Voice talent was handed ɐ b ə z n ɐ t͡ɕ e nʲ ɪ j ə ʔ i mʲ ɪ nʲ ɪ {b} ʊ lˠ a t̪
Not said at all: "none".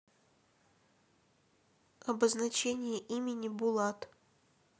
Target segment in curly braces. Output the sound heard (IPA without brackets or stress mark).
b